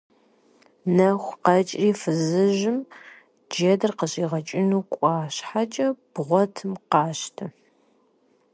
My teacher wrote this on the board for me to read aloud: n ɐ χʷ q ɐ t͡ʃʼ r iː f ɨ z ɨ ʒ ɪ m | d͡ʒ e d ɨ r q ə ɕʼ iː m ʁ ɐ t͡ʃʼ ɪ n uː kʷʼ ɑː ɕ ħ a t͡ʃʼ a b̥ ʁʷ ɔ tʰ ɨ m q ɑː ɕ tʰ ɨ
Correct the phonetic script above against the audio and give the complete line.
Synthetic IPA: n ɐ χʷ q ɐ t͡ʃʼ r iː f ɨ z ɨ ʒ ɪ m | d͡ʒ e d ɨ r q ə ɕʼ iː ʁ ɐ t͡ʃʼ ɪ n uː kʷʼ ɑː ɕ ħ a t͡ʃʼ ɐ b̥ ʁʷ ɔ tʰ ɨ m q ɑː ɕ tʰ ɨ